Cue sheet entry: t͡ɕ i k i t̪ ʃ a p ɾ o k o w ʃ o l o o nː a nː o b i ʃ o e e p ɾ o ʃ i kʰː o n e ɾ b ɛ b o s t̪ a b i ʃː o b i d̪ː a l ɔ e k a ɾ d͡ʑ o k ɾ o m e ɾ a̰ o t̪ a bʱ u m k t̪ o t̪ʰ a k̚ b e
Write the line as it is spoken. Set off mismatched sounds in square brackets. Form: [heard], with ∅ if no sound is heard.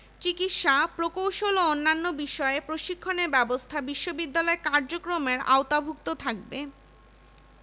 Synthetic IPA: t͡ɕ i k i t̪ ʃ a p ɾ o k o w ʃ o l o o nː a nː o b i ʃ [ɔ] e e p ɾ o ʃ i kʰː o n e ɾ b ɛ b o s [t̪ʰ] a b i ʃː o b i d̪ː a l ɔ e k a ɾ d͡ʑ o k ɾ o m e ɾ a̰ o t̪ a bʱ u [∅] k t̪ o t̪ʰ a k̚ b e